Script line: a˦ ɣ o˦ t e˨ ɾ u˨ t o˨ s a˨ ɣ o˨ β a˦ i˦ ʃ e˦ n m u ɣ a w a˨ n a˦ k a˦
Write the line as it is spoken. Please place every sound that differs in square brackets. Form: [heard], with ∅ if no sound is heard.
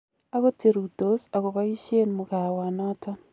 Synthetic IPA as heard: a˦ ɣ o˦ t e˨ ɾ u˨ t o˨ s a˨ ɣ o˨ β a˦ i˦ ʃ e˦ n m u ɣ a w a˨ n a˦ [t] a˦